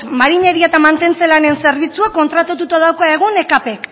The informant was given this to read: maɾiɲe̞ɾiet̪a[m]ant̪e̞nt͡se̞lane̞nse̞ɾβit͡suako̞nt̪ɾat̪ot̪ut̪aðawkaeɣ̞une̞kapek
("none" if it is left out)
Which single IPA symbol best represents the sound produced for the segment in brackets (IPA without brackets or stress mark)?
m